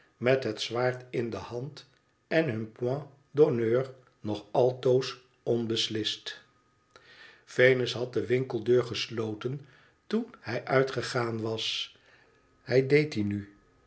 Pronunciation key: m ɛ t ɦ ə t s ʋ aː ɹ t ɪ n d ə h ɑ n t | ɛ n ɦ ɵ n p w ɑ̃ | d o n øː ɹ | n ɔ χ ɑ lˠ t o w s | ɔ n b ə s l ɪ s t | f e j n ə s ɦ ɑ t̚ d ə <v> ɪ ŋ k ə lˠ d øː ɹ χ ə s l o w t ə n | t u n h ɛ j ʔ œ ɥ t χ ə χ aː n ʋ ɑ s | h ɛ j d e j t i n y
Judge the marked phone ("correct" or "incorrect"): incorrect